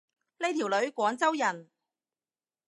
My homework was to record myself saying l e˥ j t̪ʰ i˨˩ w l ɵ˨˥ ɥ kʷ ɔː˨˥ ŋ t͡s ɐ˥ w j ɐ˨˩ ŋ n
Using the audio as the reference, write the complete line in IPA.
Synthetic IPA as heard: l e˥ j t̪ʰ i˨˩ w l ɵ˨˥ ɥ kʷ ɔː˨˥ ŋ t͡s ɐ˥ w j ɐ˨˩ n

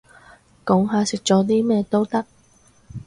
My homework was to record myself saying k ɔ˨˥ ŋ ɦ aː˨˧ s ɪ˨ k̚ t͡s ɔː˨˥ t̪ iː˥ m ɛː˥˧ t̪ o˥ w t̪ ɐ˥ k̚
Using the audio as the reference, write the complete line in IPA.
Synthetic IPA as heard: k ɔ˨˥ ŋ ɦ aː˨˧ s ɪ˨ k̚ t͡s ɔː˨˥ t̪ iː˥ m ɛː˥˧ t̪ o˥ w t̪ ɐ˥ k̚

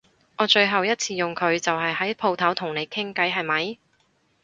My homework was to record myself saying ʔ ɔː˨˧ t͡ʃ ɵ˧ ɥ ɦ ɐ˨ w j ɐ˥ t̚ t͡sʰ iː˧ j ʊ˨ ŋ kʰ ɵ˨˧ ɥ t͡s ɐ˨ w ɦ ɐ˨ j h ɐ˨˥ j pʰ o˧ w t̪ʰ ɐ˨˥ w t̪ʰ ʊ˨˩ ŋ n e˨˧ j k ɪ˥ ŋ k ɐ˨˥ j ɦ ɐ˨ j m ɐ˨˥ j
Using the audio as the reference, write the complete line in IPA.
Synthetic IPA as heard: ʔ ɔː˨˧ t͡ʃ ɵ˧ ɥ ɦ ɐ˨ w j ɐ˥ t̚ t͡sʰ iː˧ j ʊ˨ ŋ kʰ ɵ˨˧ ɥ t͡s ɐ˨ w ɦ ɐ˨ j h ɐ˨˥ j pʰ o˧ w t̪ʰ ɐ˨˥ w t̪ʰ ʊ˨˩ ŋ n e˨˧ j kʰ ɪ˥ ŋ k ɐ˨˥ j ɦ ɐ˨ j m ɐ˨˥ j

